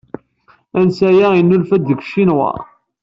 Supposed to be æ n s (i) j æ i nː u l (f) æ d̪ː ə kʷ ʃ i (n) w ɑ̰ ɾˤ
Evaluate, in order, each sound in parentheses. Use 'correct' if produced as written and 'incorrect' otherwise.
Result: incorrect, correct, correct

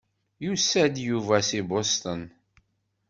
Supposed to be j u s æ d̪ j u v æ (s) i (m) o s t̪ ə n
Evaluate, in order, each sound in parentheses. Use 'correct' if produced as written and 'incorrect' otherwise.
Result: correct, incorrect

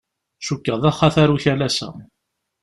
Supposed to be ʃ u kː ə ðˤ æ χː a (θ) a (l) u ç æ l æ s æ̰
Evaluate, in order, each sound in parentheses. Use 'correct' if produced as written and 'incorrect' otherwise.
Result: correct, incorrect

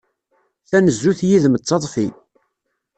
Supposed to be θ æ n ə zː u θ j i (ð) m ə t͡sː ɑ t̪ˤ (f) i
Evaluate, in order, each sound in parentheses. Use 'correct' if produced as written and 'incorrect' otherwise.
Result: correct, correct

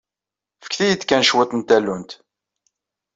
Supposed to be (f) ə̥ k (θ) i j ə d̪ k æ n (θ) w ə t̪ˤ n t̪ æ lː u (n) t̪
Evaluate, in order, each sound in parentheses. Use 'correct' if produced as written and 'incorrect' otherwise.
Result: correct, correct, incorrect, correct

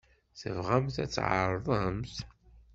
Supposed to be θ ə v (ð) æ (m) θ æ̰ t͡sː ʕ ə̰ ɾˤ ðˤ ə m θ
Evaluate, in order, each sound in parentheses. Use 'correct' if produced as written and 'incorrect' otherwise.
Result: incorrect, correct

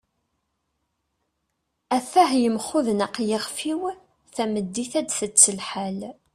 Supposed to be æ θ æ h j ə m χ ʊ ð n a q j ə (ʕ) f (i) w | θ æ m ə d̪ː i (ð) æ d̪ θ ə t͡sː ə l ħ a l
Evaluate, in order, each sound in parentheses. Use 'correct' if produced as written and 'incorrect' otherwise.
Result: incorrect, correct, incorrect

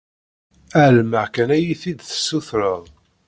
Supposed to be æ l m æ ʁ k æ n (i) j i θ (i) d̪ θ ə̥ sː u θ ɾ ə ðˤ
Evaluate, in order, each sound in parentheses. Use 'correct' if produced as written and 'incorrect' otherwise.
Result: incorrect, correct

